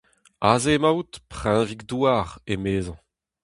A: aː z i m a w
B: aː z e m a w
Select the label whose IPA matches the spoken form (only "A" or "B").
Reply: B